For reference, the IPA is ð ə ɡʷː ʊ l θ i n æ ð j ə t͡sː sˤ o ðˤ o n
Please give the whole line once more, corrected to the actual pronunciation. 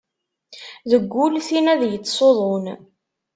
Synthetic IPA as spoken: ð ə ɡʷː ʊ l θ i n æ ð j ə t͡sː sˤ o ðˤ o n

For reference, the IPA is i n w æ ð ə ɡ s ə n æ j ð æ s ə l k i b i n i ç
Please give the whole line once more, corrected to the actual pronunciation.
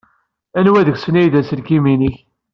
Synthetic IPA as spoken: æ n w æ ð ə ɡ s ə n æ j ð æ s ə l k i m i n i ç

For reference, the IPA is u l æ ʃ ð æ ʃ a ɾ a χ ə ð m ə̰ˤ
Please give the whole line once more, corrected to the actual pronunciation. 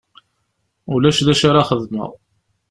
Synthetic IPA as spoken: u l æ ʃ ð æ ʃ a ɾ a χ ə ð m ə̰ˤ

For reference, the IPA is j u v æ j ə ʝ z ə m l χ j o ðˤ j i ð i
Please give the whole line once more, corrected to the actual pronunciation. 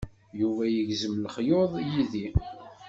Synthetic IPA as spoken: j u v æ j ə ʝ z ə m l χ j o ðˤ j i ð i

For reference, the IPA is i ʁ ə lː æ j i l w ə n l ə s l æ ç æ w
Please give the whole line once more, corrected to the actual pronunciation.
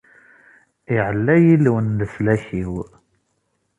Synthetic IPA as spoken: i ʕ ə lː æ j i l w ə n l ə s l æ ç i w

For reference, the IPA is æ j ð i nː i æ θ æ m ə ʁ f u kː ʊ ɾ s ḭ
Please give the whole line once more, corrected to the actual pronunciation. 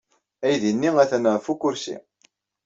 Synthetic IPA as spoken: æ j ð i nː i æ θ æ n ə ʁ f u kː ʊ ɾ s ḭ

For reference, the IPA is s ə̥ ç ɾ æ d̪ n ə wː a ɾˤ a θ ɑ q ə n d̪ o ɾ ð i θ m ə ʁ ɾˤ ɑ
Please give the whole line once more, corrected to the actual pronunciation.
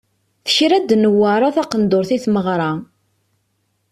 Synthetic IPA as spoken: θ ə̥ ç ɾ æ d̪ n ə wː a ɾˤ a θ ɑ q ə n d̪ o ɾ θ i θ m ə ʁ ɾˤ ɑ

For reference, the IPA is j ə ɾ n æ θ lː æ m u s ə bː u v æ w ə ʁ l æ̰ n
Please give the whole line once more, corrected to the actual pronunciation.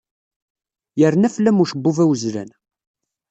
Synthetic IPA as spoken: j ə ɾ n æ f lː æ m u ʃ ə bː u v æ w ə z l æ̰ n

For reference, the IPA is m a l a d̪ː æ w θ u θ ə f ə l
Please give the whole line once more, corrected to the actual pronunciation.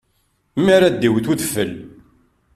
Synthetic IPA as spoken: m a ɾ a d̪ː i w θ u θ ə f ə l

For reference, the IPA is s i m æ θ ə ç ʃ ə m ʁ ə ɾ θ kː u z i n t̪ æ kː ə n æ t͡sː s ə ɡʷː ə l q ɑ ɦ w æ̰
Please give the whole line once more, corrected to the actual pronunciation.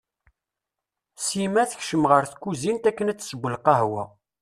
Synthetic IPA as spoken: s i m æ θ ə ç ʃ ə m ʁ ə ɾ θ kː u z i n t̪ æ kː ə n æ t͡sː s ə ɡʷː ə l q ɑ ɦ w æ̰

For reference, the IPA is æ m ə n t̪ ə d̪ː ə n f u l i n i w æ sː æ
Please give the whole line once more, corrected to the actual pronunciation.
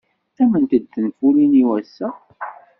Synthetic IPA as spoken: æ m ə n t̪ ə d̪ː ə n f u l i n i w æ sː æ

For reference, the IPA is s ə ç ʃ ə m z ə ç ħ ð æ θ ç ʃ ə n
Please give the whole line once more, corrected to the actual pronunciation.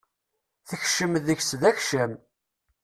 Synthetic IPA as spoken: θ ə ç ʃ ə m ð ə ç s ð æ ç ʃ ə m

